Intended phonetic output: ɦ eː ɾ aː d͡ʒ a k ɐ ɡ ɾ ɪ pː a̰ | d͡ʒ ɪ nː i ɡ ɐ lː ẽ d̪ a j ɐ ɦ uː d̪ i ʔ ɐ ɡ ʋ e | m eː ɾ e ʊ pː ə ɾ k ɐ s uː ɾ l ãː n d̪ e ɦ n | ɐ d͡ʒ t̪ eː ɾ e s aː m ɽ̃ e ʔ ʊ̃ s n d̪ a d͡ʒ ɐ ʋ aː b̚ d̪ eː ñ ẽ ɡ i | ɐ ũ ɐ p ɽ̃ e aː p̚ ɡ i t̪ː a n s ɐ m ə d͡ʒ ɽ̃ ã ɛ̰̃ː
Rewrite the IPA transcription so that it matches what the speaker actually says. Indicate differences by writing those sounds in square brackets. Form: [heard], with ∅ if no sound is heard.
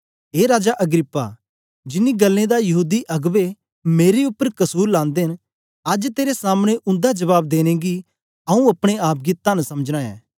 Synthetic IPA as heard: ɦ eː ɾ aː d͡ʒ a [ʔ] ɐ ɡ ɾ ɪ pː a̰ | d͡ʒ ɪ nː i ɡ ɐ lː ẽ d̪ a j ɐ ɦ uː d̪ i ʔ ɐ ɡ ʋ e | m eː ɾ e ʊ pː ə ɾ k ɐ s uː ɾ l ãː n d̪ e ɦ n | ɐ d͡ʒ t̪ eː ɾ e s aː m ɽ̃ e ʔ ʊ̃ [∅] n d̪ a d͡ʒ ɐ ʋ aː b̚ d̪ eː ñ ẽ ɡ i | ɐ ũ ɐ p ɽ̃ e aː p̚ ɡ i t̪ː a n s ɐ m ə d͡ʒ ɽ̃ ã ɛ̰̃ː